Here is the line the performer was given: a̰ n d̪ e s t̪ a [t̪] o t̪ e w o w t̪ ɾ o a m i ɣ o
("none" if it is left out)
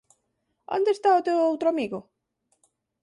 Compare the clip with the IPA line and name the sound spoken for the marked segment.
none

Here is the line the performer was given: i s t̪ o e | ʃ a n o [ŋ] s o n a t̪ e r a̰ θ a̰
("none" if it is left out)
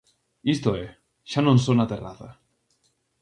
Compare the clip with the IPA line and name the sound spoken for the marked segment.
n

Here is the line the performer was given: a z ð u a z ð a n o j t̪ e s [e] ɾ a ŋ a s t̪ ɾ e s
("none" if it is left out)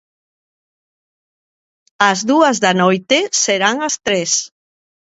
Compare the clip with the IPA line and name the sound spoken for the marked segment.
e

